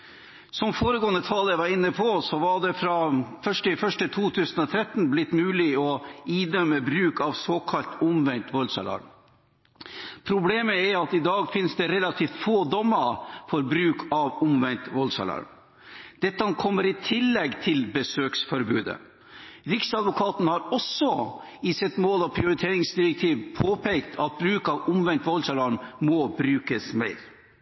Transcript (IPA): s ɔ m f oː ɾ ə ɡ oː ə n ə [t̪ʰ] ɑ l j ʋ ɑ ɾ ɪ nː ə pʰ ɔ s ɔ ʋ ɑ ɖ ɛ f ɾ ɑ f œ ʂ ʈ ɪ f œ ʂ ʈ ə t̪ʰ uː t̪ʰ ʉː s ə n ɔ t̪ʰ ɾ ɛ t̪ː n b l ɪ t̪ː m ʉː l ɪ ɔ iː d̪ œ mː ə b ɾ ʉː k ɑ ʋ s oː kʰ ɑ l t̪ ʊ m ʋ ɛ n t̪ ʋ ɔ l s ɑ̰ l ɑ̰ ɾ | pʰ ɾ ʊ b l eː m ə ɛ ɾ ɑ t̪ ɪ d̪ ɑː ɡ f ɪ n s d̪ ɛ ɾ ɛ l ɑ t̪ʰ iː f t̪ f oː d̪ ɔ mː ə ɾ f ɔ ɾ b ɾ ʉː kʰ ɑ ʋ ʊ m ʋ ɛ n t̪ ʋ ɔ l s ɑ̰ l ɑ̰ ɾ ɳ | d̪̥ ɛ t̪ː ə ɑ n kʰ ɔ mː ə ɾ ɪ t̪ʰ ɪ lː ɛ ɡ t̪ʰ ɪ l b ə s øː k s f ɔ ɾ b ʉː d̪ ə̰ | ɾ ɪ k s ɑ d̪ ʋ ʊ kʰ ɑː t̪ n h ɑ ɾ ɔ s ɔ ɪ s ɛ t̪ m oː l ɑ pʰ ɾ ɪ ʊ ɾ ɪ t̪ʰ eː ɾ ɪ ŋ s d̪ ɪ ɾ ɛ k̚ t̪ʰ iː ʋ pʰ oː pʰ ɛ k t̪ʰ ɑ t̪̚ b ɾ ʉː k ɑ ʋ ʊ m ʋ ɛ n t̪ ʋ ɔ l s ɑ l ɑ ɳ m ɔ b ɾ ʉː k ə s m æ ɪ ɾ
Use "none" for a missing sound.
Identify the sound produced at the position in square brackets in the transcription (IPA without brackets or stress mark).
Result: t̪ʰ